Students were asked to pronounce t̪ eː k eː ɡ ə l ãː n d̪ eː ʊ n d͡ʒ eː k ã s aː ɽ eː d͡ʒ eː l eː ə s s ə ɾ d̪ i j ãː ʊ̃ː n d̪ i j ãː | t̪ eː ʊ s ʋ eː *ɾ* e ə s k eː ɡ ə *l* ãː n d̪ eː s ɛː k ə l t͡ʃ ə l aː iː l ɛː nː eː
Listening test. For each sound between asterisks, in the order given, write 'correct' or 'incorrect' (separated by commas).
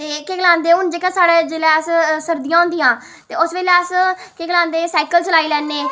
incorrect, correct